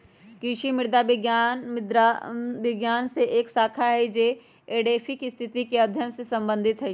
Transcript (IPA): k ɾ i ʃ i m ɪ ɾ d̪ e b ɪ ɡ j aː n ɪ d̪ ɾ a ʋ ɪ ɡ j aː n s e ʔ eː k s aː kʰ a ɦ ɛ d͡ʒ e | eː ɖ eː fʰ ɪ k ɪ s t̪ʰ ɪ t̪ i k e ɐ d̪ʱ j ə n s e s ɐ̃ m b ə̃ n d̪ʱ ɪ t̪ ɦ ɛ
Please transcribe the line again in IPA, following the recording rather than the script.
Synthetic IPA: k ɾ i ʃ i m ɪ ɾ d̪ a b ɪ ɡ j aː n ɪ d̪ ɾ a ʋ ɪ ɡ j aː n s e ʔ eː k s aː kʰ a ɦ ɛ d͡ʒ e | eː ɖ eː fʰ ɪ k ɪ s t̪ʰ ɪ t̪ i k e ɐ d̪ʱ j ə n s e s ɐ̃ m b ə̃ n d̪ʱ ɪ t̪ ɦ ɛ